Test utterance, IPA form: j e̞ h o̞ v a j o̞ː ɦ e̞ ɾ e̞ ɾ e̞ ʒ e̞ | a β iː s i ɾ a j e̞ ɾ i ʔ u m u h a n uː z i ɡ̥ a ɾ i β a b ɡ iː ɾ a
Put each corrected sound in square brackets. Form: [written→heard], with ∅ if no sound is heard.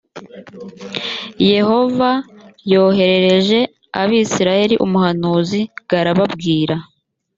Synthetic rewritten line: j e̞ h o̞ v a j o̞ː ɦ e̞ ɾ e̞ ɾ e̞ ʒ e̞ | a β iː s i ɾ a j e̞ ɾ i ʔ u m u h a n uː z i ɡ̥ a ɾ [i→a] β a b ɡ iː ɾ a